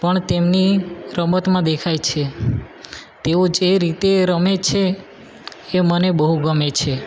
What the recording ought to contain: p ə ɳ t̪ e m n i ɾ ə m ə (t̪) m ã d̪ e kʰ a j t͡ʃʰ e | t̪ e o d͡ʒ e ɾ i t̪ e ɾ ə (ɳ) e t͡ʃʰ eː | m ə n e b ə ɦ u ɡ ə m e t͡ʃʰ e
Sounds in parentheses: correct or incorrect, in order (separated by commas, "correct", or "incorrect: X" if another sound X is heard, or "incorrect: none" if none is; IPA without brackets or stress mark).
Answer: correct, incorrect: m